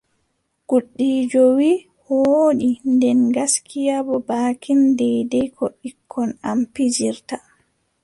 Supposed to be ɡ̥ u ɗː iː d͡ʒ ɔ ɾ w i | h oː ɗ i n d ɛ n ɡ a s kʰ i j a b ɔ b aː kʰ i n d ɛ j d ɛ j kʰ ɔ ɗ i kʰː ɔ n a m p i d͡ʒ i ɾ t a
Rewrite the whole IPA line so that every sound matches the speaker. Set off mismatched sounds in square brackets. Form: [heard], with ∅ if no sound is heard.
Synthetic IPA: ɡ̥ u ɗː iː d͡ʒ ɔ [∅] w i | h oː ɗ i n d ɛ n ɡ a s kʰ i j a b ɔ b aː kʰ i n d ɛ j d ɛ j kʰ ɔ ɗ i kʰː ɔ n a m p i d͡ʒ i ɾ t a